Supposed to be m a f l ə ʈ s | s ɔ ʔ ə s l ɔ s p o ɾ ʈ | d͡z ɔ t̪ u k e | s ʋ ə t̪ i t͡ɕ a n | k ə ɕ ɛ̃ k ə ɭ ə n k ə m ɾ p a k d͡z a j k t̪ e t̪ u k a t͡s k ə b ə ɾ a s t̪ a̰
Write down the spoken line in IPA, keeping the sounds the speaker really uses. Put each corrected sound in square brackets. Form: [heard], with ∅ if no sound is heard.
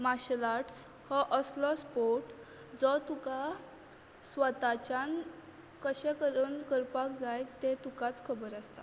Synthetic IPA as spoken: m a [ɕ] l [a] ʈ s | [h] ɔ ʔ ə s l ɔ s p o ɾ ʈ | d͡z ɔ t̪ u k [a] | s ʋ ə t̪ [a] t͡ɕ a n | k ə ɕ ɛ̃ k ə [ɾ] ə n k ə [∅] ɾ p a k d͡z a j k t̪ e t̪ u k a t͡s [kʰ] ə b ə ɾ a s t̪ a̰

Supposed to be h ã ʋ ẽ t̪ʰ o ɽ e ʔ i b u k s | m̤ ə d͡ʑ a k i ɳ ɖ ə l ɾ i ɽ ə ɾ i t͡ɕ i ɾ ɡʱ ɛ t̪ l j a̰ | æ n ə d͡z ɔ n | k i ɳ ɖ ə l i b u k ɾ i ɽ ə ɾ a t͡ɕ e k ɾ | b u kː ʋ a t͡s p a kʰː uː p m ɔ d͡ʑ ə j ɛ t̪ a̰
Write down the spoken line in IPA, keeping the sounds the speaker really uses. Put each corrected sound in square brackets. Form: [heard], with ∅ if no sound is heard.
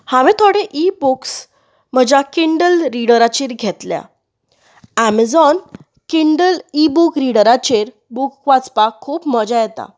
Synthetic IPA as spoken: h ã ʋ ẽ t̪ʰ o ɽ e ʔ i b u k s | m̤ ə d͡ʑ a k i ɳ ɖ ə l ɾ i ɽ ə ɾ [a] t͡ɕ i ɾ ɡʱ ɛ t̪ l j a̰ | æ [m] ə d͡z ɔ n | k i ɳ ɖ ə l i b u k ɾ i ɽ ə ɾ a t͡ɕ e [∅] ɾ | b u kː ʋ a t͡s p a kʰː uː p m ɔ d͡ʑ [a] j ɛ t̪ a̰

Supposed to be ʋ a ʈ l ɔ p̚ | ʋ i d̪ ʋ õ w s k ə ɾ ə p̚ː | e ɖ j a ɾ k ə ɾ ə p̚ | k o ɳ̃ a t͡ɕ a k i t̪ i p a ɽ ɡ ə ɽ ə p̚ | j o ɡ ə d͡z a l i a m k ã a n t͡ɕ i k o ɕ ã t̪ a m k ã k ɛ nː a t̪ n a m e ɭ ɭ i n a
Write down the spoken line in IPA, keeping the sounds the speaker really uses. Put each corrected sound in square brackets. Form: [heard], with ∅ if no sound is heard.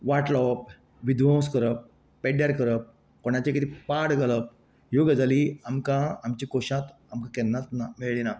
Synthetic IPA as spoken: ʋ a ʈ l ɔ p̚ | ʋ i d̪ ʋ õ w s k ə ɾ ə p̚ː | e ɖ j a ɾ k ə ɾ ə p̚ | k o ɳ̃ a t͡ɕ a k i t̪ i p a ɽ ɡ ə [l] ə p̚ | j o ɡ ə d͡z a l i a m k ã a [m] t͡ɕ i k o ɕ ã t̪ a m k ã k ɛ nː a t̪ n a m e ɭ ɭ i n a

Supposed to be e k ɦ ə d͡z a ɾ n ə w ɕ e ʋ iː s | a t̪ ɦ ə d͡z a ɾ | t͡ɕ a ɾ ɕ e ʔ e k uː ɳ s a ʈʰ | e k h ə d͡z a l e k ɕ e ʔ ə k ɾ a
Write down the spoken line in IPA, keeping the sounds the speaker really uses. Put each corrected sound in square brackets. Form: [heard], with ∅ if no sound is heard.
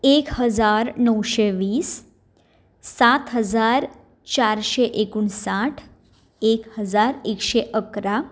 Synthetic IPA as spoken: e k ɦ ə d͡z a ɾ n ə w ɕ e ʋ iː s | a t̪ ɦ ə d͡z a ɾ | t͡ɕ a ɾ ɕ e ʔ e k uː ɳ s a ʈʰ | e k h ə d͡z a [ɾ] e k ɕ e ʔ ə k ɾ a

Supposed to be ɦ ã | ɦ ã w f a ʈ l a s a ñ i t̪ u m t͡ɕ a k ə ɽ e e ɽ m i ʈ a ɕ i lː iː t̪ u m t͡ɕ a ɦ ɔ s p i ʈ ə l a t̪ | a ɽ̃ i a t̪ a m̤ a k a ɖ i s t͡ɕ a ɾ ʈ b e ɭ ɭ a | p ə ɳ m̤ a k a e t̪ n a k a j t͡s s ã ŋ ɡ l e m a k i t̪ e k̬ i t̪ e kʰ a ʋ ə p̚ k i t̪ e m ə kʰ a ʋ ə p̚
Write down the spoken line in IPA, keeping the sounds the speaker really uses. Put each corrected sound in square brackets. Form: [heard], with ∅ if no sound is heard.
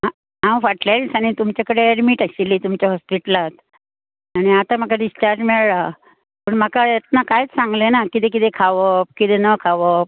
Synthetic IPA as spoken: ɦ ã | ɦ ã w f a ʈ l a s a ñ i t̪ u m t͡ɕ a k ə ɽ e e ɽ m i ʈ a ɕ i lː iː t̪ u m t͡ɕ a ɦ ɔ s p i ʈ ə l a t̪ | a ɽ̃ i a t̪ a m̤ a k a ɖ i s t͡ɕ a ɾ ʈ [m] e ɭ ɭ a | p ə ɳ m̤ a k a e t̪ n a k a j t͡s s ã ŋ ɡ l e [n] a k i t̪ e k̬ i t̪ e kʰ a ʋ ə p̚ k i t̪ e [n] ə kʰ a ʋ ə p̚

